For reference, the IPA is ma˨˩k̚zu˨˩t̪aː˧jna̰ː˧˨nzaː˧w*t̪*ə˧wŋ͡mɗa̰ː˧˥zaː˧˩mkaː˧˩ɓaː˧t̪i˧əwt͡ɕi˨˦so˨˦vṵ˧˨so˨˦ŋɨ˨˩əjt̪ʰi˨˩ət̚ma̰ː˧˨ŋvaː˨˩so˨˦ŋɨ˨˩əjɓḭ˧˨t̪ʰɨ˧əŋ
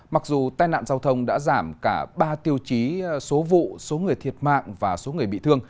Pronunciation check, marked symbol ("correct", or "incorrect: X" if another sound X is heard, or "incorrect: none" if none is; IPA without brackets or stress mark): incorrect: t̪ʰ